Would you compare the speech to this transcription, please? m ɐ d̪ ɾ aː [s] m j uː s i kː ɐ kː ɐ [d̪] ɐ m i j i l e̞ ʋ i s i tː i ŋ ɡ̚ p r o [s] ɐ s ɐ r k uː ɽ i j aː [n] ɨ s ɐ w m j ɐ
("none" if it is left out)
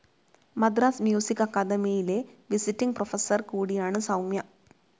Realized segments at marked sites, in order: s, d̪, f, ɳ

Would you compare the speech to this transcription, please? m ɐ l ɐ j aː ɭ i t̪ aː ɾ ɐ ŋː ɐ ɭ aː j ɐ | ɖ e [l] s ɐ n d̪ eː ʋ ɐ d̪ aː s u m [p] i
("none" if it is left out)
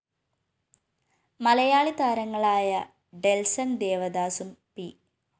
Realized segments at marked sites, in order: l, p

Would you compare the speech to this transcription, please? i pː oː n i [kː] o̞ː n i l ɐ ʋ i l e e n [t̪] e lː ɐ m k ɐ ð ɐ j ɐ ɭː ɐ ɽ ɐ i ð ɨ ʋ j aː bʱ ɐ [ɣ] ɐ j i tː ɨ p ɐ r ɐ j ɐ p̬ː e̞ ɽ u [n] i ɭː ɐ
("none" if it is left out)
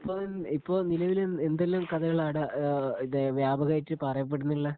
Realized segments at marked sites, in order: pː, d̪, ɣ, nː

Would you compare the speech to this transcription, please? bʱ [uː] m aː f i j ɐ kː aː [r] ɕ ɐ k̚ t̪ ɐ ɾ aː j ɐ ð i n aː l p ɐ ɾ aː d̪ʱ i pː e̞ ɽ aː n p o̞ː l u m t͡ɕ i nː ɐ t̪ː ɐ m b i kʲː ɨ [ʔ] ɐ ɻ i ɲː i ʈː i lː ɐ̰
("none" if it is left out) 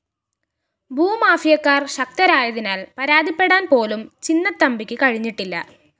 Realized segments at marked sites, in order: uː, r, k

